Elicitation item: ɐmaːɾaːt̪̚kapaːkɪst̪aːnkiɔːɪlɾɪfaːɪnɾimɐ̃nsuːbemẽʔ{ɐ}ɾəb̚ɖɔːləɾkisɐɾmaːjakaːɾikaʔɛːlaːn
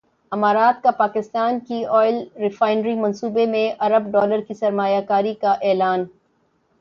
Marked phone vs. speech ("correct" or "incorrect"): correct